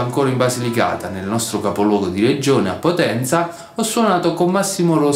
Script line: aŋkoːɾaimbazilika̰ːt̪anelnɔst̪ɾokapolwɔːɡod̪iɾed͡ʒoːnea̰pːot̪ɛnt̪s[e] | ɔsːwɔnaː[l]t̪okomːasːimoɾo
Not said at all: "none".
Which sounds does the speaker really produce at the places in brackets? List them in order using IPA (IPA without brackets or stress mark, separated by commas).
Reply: a, none